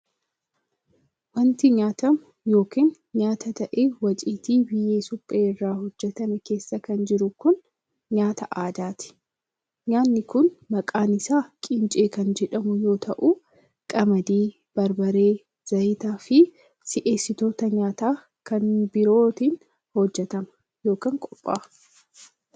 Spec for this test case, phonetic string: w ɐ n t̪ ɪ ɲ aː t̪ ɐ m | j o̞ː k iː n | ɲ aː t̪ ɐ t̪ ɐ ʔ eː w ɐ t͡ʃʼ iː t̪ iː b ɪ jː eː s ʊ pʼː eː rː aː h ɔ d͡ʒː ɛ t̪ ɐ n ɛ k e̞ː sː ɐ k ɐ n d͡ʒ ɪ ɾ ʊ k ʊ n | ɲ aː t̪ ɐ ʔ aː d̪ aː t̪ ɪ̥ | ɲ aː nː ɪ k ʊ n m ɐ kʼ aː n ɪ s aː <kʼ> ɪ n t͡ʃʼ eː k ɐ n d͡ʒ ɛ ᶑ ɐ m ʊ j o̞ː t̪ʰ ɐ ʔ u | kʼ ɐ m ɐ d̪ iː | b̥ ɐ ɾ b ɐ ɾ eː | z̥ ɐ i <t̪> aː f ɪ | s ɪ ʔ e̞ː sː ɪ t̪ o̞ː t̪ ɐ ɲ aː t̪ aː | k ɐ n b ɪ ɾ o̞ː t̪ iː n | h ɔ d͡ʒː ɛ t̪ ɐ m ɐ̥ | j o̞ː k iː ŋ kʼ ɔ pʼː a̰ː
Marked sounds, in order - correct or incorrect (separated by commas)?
correct, correct